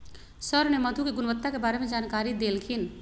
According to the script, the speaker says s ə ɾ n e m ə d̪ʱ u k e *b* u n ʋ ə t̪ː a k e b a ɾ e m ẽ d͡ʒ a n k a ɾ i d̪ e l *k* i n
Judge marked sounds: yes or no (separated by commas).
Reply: no, no